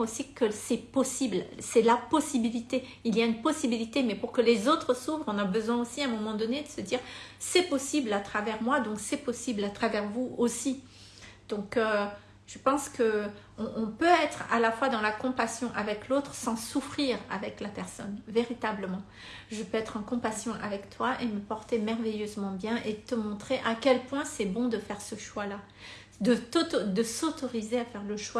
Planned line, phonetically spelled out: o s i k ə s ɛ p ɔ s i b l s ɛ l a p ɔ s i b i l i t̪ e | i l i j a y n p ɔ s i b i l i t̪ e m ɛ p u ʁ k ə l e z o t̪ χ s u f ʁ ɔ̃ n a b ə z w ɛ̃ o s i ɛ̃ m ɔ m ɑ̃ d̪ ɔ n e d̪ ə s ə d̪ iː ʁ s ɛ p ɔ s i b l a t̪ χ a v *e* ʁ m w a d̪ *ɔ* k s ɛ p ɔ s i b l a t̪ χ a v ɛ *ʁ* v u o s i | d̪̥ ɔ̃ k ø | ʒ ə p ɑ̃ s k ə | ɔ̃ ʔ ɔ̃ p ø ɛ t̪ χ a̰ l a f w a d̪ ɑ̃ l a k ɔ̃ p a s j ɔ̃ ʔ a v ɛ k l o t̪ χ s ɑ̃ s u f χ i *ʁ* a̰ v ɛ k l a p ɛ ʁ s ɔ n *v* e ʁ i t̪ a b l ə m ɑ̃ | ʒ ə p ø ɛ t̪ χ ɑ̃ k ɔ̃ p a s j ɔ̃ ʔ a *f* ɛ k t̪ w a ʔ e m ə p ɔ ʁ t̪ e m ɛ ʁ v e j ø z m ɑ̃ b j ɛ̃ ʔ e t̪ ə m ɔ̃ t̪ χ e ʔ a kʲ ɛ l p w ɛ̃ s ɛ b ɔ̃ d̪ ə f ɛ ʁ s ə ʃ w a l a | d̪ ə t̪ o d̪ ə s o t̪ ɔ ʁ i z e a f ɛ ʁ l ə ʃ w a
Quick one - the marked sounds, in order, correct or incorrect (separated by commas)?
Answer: incorrect, incorrect, correct, correct, correct, incorrect